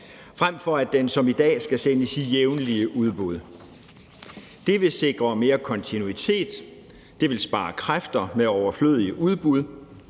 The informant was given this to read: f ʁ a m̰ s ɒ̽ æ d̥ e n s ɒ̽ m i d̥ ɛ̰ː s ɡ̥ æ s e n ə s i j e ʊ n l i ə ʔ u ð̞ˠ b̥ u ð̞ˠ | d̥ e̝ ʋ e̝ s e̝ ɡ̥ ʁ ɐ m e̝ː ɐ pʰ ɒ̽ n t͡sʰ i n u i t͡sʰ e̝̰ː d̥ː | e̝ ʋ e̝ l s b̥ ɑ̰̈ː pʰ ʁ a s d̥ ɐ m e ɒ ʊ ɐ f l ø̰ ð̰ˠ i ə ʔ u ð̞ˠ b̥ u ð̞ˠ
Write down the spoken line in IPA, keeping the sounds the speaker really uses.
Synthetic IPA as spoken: f ʁ a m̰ f ɒ̽ æ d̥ e n s ɒ̽ m i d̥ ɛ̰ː s ɡ̥ æ s e n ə s i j e ʊ n l i ə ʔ u ð̞ˠ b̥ u ð̞ˠ | d̥ e̝ ʋ e̝ s e̝ ɡ̥ ʁ ɐ m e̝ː ɐ kʰ ɒ̽ n t͡sʰ i n u i t͡sʰ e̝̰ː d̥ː | e̝ ʋ e̝ l s b̥ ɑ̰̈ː kʰ ʁ a f d̥ ɐ m e ɒ ʊ ɐ f l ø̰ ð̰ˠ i ə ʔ u ð̞ˠ b̥ u ð̞ˠ